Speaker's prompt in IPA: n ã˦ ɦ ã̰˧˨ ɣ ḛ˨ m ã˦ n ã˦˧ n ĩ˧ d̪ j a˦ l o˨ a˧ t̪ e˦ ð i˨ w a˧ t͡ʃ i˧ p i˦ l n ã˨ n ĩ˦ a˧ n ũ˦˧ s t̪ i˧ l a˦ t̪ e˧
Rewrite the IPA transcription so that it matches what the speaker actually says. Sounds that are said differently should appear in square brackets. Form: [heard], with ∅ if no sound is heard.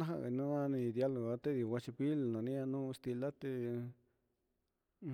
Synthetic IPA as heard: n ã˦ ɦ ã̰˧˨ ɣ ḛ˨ [n] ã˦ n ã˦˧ n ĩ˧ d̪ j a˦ l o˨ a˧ t̪ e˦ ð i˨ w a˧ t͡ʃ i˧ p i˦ l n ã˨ n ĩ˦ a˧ n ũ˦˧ s t̪ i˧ l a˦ t̪ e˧